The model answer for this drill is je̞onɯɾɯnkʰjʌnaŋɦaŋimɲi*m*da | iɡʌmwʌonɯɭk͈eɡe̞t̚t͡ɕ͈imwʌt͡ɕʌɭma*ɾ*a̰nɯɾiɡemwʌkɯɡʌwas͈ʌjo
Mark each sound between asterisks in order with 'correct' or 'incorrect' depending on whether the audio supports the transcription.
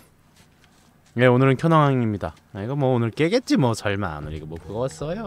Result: incorrect: none, incorrect: none

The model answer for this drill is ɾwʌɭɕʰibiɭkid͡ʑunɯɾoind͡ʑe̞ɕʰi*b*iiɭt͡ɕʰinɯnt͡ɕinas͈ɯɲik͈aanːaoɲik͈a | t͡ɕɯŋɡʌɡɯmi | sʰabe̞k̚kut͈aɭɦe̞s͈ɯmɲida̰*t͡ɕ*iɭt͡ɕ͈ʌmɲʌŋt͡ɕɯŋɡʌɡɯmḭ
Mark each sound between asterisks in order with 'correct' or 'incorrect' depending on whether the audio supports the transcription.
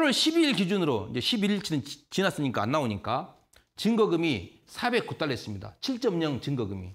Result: correct, incorrect: t͡ɕʰ

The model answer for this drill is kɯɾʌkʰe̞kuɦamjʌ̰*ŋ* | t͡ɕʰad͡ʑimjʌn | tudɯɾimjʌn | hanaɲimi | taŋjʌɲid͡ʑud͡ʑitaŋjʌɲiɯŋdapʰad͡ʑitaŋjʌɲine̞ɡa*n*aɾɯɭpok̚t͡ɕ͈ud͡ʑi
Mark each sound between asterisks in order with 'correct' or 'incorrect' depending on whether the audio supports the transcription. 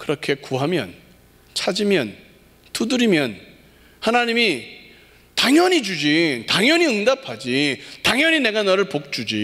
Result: incorrect: n, correct

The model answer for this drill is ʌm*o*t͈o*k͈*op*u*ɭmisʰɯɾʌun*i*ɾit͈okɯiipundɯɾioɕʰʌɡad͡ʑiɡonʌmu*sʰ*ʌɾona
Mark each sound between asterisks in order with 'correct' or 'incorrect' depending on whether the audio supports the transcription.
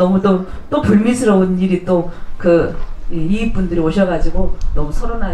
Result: incorrect: u, incorrect: t͈, correct, correct, correct

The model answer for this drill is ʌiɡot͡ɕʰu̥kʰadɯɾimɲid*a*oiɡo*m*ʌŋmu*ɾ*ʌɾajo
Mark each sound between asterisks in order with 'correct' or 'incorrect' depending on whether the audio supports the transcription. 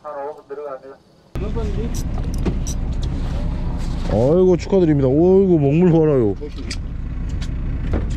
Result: correct, correct, incorrect: ɭ

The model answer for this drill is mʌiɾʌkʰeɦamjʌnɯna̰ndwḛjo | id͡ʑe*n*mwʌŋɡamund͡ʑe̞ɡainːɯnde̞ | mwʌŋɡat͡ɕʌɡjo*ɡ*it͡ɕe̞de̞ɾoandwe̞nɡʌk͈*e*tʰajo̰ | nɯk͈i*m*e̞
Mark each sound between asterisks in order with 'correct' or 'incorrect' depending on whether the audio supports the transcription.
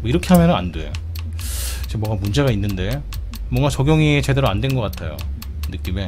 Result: incorrect: none, incorrect: ŋ, incorrect: a, correct

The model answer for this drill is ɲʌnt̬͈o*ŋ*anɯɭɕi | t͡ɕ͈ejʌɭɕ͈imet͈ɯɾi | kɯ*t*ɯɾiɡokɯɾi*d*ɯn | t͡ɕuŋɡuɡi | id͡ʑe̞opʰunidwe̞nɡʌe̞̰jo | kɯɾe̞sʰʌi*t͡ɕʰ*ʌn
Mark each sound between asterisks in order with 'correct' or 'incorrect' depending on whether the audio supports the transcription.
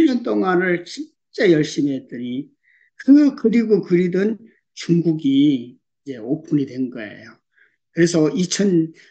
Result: correct, incorrect: k, correct, correct

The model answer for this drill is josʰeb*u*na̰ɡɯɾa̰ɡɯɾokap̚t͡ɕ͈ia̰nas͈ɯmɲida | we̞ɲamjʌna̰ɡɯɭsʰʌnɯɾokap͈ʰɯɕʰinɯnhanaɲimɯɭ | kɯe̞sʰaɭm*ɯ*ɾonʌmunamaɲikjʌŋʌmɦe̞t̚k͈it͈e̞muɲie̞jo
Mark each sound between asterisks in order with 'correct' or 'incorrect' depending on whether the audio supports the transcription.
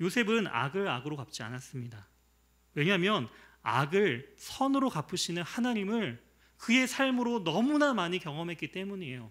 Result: incorrect: ɯ, correct

